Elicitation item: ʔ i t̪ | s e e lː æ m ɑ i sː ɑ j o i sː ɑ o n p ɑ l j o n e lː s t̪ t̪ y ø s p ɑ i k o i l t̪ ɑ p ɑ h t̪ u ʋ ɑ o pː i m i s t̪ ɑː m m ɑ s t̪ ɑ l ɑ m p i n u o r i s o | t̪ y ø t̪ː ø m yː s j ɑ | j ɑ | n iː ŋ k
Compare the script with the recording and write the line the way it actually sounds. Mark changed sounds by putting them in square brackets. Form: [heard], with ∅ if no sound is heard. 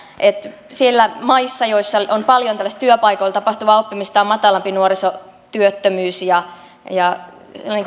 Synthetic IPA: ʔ [e] t̪ | s [i] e lː æ m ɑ i sː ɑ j o i sː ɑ o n p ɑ l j o n [æ] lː s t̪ t̪ y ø [∅] p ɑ i k o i l t̪ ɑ p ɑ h t̪ u ʋ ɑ o pː i m i s t̪ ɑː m m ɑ [∅] t̪ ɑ l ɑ m p i n u o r i s o | t̪ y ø t̪ː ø m yː s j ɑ | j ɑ | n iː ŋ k